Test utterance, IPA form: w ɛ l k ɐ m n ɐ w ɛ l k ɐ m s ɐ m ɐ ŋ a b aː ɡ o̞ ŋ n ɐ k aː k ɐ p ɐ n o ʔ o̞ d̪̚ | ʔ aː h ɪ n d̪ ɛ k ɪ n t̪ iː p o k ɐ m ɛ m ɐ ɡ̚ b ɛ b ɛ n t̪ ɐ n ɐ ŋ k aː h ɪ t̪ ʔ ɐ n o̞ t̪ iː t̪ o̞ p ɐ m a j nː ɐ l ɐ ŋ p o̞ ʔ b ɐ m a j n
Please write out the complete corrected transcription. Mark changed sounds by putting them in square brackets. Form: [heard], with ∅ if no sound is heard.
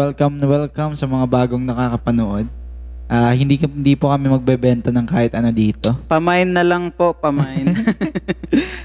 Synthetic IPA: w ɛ l k ɐ m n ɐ w ɛ l k ɐ m s ɐ m ɐ ŋ a b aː ɡ o̞ ŋ n ɐ k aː k ɐ p ɐ n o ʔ o̞ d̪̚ | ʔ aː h ɪ n d̪ [i] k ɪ n [d̪] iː p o k ɐ m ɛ m ɐ ɡ̚ b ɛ b ɛ n t̪ ɐ n ɐ ŋ k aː h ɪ t̪ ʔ ɐ n o̞ [d̪] iː t̪ o̞ p ɐ m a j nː ɐ l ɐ ŋ p o̞ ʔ [p] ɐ m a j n